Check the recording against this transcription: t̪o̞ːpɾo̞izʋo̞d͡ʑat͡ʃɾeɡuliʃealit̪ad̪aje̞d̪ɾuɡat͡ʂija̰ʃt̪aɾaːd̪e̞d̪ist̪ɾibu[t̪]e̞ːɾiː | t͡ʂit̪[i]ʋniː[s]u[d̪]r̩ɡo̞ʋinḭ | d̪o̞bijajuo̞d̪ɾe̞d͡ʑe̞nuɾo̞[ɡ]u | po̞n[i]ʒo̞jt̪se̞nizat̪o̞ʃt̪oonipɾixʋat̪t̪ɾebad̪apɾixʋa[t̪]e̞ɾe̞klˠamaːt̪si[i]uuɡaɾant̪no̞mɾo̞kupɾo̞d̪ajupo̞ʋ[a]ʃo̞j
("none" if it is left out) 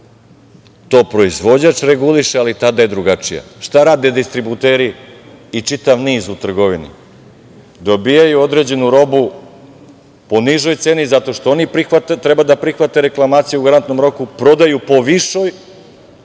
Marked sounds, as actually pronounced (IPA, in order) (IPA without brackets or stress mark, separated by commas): t̪, a, z, t̪, b, i, t̪, j, i